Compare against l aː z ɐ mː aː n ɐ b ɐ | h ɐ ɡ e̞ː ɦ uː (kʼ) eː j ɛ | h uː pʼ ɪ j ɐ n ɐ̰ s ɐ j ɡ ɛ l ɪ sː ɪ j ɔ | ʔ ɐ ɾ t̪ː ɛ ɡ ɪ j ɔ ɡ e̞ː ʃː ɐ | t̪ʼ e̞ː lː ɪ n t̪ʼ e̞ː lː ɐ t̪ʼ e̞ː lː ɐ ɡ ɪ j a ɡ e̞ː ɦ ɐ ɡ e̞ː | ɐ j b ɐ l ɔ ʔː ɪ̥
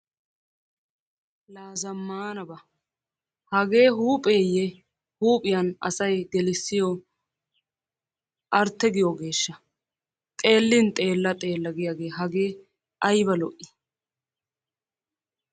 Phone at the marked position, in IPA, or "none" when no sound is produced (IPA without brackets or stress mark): pʼ